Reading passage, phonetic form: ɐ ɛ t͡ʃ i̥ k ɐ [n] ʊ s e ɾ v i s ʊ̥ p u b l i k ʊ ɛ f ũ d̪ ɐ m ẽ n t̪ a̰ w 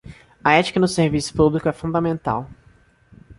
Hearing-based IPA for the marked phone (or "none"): n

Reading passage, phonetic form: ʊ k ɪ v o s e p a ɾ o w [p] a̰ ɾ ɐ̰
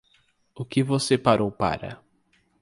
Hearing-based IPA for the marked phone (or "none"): p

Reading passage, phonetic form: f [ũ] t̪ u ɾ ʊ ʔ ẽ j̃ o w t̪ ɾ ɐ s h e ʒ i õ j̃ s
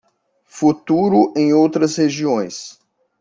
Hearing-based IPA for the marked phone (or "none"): u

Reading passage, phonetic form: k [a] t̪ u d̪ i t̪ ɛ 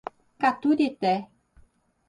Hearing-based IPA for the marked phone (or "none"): a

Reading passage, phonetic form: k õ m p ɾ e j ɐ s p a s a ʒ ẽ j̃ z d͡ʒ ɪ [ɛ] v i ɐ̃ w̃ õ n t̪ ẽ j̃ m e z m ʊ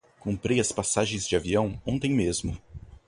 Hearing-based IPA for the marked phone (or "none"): a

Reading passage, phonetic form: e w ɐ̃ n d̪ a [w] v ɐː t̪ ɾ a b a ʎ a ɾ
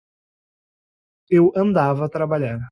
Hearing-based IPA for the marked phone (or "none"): none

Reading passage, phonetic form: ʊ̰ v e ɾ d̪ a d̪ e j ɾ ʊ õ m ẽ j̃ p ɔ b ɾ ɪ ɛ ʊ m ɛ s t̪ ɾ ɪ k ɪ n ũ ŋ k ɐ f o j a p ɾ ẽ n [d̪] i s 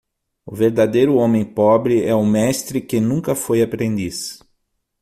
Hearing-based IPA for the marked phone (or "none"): d̪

